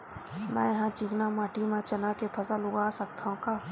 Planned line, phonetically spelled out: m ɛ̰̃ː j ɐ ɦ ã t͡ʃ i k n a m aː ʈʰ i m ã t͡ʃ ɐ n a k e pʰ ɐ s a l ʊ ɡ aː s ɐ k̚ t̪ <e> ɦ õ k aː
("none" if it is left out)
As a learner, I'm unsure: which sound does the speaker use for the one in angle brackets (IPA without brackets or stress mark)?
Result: a